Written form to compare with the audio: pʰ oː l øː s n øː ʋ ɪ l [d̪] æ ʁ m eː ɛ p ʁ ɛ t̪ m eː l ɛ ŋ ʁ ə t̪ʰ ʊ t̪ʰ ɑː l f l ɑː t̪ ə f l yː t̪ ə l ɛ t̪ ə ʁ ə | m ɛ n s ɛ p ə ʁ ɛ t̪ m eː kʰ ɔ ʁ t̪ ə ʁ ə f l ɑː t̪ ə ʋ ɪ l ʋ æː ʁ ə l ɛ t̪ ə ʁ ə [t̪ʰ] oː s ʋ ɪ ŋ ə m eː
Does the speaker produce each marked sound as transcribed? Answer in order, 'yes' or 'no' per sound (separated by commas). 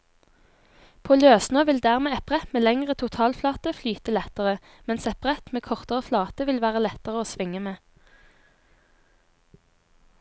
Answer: yes, no